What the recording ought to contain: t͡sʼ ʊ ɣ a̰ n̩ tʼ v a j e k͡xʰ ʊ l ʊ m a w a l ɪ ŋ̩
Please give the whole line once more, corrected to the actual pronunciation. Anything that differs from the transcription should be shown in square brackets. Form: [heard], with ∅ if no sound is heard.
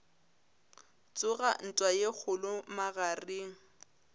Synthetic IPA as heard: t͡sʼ ʊ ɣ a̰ n̩ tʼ [w] a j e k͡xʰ ʊ l ʊ m a [ɣ] a [r] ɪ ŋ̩